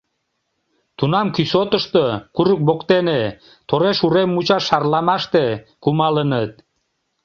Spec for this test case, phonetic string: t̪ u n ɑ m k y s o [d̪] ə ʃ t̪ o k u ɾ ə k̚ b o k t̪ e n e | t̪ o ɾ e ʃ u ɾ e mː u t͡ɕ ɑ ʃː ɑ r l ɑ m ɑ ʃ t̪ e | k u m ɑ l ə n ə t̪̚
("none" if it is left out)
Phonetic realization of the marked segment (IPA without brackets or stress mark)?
t̪